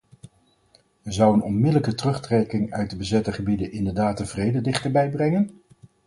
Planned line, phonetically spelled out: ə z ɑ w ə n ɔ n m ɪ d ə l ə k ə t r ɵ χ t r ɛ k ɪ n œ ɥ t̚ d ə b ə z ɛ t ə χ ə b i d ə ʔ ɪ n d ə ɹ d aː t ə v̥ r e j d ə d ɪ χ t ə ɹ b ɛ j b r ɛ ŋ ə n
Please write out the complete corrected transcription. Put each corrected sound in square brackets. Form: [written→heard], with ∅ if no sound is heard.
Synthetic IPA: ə z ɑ w ə n ɔ n m ɪ d ə l ə k ə t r ɵ χ t r ɛ k ɪ [n→ŋ] œ ɥ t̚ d ə b ə z ɛ t ə χ ə b i d ə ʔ ɪ n d ə ɹ d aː t ə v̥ r e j d ə d ɪ χ t ə ɹ b ɛ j b r ɛ ŋ ə n